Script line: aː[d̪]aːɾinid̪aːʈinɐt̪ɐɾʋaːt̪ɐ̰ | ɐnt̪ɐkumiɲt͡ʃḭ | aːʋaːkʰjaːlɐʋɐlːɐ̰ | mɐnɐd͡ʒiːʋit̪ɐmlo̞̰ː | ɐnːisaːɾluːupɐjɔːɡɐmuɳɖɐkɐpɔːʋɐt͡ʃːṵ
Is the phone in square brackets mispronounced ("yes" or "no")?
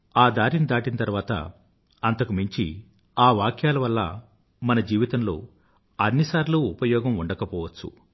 no